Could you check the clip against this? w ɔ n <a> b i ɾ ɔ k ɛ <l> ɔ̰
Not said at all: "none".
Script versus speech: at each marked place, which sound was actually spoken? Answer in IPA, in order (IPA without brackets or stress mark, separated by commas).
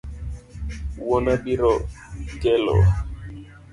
a, l